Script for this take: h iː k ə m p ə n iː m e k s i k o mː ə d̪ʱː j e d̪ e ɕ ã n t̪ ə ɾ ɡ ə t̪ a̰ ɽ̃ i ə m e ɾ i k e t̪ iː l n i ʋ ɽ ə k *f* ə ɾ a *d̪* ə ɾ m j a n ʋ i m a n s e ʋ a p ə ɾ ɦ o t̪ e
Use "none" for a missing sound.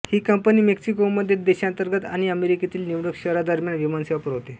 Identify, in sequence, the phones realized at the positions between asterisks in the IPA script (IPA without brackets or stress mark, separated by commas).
ɕ, d̪